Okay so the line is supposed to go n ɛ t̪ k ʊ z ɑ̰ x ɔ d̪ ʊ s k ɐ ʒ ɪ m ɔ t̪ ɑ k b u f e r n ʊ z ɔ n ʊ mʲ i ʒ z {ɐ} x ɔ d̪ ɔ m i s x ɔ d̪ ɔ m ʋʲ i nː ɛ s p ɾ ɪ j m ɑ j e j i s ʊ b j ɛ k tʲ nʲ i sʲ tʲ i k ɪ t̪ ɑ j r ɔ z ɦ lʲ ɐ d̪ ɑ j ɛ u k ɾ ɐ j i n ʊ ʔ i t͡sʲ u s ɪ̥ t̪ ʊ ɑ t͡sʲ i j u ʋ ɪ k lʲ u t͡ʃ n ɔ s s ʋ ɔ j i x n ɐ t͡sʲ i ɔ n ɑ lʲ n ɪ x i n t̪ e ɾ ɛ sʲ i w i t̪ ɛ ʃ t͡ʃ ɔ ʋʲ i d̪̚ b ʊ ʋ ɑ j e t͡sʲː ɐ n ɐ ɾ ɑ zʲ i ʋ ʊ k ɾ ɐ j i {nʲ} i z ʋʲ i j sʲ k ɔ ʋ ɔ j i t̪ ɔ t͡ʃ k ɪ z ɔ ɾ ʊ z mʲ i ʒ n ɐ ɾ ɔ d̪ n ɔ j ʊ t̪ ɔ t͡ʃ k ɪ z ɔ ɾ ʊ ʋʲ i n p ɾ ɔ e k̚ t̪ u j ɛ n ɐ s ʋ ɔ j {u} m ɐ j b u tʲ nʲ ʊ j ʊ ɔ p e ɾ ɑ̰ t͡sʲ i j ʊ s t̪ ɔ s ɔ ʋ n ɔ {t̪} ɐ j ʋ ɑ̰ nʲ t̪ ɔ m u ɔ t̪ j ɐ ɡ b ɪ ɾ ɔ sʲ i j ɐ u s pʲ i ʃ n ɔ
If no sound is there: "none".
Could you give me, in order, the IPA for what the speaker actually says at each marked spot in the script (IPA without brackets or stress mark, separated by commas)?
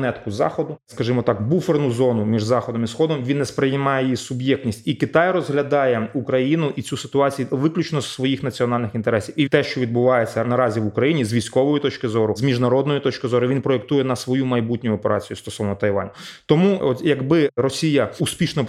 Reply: ɑ, nʲ, u, t̪